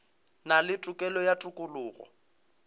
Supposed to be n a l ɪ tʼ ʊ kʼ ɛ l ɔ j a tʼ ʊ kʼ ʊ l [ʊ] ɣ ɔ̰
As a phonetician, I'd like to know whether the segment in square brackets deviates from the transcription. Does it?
yes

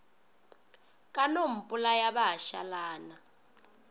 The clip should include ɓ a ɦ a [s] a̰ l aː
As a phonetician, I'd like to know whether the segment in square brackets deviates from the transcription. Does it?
yes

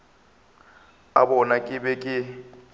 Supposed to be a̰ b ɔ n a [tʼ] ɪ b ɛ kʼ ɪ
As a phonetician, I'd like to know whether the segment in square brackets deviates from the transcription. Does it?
yes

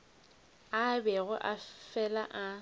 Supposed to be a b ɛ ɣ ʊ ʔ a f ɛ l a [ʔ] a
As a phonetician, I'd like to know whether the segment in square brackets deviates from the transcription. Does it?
no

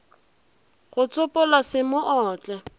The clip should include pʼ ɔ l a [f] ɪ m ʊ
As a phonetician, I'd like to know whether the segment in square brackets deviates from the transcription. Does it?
yes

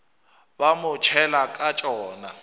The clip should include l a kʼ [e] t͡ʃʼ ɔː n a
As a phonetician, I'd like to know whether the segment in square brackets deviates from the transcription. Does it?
yes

